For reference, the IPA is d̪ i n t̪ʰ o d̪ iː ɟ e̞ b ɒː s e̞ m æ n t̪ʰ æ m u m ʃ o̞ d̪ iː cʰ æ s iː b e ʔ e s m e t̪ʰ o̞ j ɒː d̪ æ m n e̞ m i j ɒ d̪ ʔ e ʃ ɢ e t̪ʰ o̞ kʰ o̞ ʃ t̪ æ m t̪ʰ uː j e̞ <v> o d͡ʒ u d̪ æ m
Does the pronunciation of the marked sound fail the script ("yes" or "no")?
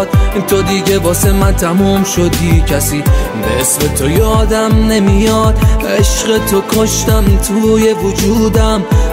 no